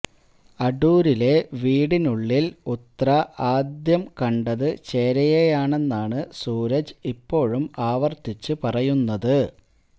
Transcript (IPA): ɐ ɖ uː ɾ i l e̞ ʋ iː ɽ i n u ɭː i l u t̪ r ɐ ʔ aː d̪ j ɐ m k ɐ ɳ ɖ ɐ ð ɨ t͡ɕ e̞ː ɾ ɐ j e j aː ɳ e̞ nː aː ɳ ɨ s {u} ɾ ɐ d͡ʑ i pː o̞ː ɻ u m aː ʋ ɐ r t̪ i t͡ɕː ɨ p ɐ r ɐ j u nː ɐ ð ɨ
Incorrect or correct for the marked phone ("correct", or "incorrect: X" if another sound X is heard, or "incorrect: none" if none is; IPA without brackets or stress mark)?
incorrect: uː